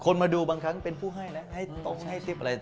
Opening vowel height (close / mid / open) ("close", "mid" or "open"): mid